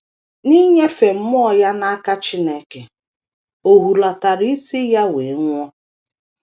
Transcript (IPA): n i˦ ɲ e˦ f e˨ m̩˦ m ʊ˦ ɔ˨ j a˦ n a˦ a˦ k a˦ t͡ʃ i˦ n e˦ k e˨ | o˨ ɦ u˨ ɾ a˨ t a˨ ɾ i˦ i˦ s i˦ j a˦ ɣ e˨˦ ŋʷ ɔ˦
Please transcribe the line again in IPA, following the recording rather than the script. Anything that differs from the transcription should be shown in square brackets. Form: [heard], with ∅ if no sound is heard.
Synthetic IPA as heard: n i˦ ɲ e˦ f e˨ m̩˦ m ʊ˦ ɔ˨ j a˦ n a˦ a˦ k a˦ t͡ʃ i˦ n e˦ k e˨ | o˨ ɦ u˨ [l] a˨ t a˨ ɾ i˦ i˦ s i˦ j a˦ [w] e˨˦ ŋʷ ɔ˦